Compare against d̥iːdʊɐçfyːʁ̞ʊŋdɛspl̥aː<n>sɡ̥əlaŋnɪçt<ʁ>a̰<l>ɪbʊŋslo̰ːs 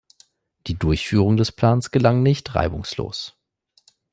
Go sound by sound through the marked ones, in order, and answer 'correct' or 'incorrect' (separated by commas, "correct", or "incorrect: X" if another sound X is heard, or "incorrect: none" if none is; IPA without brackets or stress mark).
correct, correct, incorrect: none